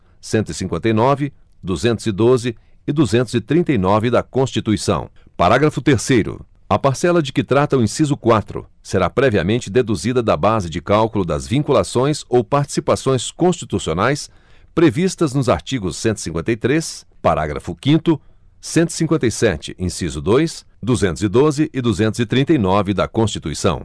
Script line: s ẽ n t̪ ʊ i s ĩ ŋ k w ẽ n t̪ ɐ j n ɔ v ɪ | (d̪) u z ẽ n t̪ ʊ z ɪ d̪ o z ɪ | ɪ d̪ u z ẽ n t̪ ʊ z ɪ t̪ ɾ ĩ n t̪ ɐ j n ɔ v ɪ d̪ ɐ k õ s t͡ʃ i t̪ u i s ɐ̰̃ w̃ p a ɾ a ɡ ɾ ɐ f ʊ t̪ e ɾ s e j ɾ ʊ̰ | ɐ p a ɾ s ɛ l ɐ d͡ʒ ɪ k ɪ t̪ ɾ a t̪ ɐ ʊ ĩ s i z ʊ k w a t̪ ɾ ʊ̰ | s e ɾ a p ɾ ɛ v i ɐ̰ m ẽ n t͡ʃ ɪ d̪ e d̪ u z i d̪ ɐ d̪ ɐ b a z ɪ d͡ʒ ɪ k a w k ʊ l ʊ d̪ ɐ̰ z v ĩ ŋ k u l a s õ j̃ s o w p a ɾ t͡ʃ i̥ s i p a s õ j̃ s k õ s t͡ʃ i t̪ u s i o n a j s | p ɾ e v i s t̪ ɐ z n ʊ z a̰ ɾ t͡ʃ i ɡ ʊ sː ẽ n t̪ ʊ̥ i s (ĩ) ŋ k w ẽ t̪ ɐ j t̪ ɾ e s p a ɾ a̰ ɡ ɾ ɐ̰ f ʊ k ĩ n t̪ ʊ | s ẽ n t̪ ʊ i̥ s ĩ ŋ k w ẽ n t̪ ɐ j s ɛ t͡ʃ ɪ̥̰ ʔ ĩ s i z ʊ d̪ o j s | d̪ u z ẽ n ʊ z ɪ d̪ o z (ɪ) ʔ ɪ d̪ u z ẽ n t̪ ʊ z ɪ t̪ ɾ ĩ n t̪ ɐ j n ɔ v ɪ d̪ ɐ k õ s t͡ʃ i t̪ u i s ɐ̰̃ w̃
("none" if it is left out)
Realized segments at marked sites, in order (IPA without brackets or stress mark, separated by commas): d̪, ĩ, ɪ